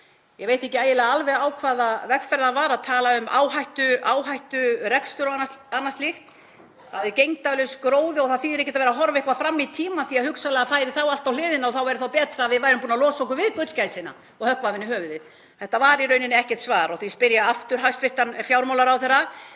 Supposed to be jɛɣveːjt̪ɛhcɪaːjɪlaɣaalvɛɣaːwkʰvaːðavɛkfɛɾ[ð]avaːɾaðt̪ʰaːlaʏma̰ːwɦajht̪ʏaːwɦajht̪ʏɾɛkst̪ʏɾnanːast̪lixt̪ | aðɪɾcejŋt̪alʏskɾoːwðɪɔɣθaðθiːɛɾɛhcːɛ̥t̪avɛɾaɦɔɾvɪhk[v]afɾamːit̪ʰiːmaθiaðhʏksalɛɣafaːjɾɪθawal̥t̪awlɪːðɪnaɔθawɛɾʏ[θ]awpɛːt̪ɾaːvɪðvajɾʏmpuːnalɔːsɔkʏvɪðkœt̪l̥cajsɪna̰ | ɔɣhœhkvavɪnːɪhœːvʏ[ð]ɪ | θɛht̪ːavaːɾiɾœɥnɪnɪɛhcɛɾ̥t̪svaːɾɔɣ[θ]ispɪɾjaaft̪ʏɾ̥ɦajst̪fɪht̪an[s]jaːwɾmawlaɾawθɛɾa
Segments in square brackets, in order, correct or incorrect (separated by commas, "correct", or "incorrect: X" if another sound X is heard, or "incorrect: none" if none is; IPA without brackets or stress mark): correct, correct, correct, correct, correct, incorrect: f